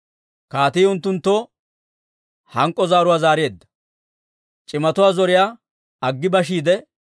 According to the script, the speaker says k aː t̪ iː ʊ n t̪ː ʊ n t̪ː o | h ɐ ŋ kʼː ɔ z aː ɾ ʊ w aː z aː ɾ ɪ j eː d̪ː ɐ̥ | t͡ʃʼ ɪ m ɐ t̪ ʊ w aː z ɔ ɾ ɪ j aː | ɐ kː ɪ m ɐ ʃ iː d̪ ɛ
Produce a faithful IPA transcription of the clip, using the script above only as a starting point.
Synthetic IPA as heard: k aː t̪ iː ʊ n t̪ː ʊ n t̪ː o | h ɐ ŋ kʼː ɔ z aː ɾ ʊ w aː z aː ɾ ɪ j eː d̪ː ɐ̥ | t͡ʃʼ ɪ m ɐ t̪ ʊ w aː z ɔ ɾ ɪ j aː | ɐ ɡː ɪ b ɐ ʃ iː d̪ ɛ